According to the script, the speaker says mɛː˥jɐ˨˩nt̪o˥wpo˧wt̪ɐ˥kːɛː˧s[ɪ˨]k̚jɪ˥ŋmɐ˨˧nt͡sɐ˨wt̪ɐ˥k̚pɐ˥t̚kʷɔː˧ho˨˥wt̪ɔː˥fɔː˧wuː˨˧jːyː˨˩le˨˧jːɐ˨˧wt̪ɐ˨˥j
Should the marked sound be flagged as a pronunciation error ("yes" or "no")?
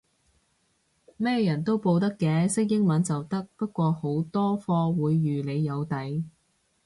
yes